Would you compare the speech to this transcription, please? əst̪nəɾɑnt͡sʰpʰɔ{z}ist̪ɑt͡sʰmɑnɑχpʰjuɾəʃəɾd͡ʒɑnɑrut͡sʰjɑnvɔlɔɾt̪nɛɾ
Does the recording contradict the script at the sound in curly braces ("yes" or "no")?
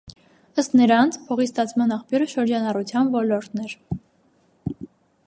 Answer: yes